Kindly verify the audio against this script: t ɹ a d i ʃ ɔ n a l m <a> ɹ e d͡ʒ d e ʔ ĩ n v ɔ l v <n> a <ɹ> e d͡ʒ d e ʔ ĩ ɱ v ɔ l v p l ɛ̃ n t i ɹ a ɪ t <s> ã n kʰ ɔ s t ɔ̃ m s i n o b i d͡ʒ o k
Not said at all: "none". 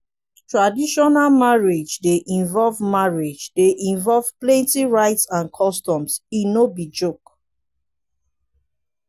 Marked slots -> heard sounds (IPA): a, m, ɹ, s

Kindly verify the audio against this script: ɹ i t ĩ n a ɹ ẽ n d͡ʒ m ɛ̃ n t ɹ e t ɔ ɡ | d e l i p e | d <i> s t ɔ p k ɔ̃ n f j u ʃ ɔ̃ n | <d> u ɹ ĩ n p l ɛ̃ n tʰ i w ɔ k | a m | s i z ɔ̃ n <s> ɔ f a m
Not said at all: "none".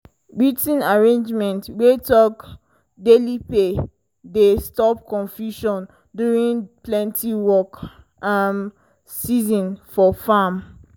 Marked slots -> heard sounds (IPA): e, d, f

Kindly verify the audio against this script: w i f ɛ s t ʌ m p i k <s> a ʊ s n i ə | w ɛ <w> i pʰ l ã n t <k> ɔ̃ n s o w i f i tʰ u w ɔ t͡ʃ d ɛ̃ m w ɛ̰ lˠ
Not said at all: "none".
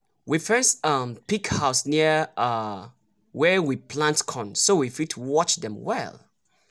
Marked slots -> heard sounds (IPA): h, w, kʰ

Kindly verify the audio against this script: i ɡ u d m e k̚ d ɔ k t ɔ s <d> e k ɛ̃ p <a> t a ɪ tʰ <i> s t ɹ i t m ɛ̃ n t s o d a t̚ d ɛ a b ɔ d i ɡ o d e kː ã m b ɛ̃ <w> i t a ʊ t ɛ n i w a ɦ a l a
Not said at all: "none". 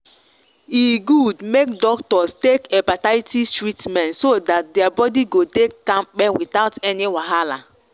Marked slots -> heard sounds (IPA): t, a, i, w

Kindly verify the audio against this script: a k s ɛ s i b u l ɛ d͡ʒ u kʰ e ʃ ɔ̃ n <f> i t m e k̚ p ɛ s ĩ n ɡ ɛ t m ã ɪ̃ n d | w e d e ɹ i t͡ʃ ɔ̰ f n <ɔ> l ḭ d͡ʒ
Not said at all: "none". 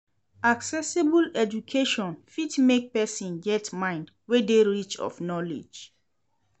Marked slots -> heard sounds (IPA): f, ɔ

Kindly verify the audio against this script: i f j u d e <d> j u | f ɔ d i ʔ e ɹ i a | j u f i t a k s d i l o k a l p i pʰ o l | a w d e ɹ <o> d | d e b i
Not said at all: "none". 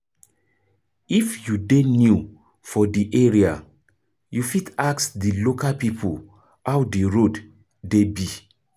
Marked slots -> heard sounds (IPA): n, o

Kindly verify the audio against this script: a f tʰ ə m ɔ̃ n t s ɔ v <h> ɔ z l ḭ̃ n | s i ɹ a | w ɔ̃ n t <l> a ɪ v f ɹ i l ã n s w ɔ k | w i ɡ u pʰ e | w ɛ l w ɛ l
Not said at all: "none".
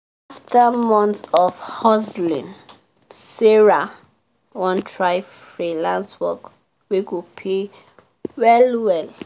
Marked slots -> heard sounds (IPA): h, ɹ

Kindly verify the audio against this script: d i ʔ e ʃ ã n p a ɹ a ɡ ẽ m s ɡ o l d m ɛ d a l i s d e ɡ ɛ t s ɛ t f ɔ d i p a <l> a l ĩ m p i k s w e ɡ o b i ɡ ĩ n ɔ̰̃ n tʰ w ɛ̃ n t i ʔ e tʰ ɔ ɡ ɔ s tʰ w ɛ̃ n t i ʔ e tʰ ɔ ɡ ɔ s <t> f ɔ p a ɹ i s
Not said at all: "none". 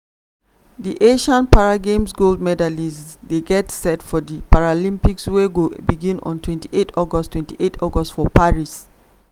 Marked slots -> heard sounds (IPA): ɹ, t

